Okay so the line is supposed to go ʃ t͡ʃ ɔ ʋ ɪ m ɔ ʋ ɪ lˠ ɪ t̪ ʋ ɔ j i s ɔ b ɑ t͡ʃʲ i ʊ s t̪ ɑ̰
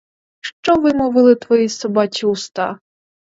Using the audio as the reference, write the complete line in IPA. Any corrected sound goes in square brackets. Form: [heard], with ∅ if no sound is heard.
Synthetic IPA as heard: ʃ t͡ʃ ɔ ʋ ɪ m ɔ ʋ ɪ lˠ ɪ t̪ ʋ ɔ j i s ɔ b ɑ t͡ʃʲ i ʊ s t̪ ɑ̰